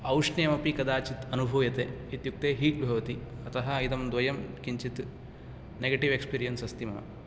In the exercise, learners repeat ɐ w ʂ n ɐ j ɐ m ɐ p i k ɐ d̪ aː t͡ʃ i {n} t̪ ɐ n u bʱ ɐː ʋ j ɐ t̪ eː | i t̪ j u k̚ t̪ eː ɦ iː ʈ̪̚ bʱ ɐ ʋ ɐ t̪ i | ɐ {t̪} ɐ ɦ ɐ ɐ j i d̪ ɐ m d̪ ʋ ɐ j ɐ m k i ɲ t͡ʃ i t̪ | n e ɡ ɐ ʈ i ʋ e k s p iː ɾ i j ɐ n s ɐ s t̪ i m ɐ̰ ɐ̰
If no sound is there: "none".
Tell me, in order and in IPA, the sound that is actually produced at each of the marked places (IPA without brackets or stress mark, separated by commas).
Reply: none, t̪